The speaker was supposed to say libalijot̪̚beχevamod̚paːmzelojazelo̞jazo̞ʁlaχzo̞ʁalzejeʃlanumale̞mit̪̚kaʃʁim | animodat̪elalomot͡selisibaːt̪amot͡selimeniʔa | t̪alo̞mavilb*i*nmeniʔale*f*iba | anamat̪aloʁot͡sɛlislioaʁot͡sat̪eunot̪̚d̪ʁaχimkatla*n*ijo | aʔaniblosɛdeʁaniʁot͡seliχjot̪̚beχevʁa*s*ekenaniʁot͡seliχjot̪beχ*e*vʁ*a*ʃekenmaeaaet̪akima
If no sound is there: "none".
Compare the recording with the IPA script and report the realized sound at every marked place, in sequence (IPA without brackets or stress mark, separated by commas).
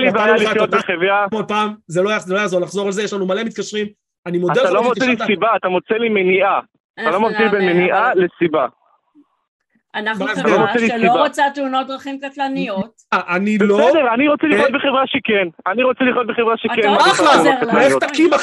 e, s, n, ʃ, e, a